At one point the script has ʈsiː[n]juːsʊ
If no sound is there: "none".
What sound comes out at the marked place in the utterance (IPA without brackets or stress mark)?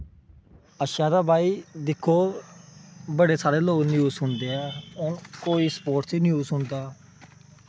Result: n